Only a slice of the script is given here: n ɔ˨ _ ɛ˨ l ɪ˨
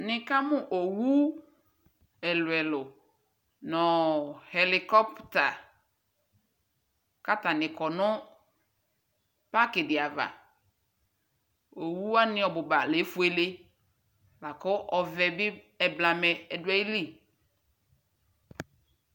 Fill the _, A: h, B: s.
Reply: A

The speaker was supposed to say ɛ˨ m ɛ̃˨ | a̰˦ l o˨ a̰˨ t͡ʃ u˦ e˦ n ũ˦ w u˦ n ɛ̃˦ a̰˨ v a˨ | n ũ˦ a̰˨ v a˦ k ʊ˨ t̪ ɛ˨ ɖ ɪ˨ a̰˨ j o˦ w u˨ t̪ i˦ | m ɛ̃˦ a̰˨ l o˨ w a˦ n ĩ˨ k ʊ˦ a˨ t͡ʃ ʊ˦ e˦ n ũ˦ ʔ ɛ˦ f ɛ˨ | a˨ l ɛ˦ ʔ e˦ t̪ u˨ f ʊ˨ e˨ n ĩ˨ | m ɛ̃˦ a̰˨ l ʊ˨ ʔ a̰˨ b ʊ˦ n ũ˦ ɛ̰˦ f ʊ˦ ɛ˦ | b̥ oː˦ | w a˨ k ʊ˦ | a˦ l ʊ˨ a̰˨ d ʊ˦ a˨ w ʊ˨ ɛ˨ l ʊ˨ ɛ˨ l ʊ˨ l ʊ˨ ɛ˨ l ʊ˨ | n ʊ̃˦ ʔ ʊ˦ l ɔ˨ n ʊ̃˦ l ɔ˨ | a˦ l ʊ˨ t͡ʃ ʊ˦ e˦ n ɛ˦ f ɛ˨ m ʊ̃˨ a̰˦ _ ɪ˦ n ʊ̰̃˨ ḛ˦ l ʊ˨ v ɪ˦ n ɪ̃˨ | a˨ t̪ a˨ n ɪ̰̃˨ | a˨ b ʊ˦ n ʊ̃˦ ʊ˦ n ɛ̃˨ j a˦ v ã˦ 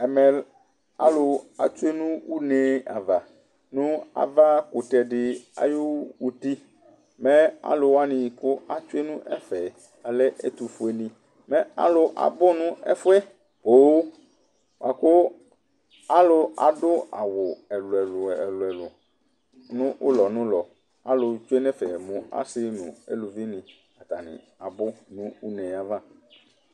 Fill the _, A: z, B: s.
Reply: B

